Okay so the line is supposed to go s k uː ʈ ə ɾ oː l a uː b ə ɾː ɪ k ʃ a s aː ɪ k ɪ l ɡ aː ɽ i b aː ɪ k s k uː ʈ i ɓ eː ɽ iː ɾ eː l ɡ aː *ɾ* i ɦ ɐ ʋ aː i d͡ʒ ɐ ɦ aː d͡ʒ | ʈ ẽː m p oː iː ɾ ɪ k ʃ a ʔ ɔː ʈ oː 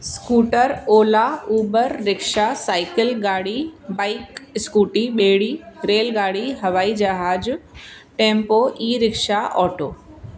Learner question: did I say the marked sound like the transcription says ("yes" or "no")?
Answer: no